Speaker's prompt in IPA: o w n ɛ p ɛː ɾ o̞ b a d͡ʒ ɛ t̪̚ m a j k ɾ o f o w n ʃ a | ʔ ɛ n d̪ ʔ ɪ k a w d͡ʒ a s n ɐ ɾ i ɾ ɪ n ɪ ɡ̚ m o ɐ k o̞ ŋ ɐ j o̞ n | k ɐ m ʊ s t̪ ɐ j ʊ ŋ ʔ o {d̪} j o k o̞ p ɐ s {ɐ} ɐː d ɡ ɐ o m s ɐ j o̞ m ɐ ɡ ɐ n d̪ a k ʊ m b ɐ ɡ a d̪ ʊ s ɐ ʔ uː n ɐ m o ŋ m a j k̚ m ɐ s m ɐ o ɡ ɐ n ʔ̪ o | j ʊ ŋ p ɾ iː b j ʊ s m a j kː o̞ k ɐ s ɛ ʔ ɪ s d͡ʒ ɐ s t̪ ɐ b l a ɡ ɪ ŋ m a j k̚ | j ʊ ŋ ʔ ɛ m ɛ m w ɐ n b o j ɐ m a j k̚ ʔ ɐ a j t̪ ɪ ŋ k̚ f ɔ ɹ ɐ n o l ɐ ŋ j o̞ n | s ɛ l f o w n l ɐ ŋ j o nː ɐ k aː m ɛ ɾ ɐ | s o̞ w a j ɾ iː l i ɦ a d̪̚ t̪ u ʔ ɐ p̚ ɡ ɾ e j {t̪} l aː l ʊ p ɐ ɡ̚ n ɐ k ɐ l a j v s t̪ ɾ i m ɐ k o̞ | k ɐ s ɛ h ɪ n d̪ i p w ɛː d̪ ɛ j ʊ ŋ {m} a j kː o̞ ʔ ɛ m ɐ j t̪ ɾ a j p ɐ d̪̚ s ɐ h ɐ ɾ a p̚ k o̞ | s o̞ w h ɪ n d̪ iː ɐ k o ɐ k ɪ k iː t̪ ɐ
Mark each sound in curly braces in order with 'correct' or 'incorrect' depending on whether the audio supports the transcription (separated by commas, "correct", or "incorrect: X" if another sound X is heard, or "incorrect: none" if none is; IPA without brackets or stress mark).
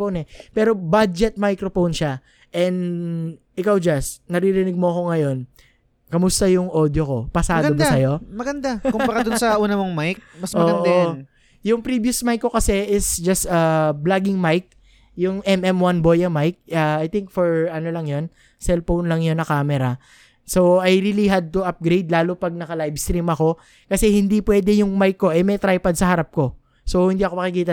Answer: correct, incorrect: a, incorrect: d̪, correct